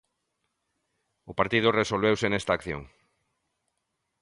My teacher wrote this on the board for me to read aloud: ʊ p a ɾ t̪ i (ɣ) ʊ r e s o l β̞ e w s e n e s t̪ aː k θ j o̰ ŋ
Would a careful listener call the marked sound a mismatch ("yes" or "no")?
yes